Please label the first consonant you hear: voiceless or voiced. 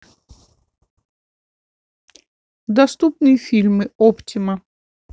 voiced